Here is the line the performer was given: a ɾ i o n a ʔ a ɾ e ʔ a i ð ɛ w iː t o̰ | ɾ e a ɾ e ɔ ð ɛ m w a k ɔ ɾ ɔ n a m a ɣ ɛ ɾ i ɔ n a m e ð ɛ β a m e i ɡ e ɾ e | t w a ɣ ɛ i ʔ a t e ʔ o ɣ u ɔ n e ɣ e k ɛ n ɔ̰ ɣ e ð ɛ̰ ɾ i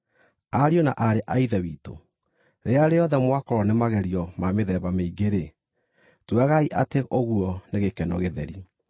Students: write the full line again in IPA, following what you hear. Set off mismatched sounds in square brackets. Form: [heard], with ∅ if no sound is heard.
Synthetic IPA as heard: a ɾ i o n a ʔ a ɾ e ʔ a i ð ɛ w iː t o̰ | ɾ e a ɾ e ɔ ð ɛ m w a k ɔ ɾ ɔ n [e] m a ɣ ɛ ɾ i ɔ [m] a m e ð ɛ β a m e i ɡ e ɾ e | t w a ɣ [a] i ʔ a t e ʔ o ɣ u ɔ n e ɣ e k ɛ n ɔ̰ ɣ e ð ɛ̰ ɾ i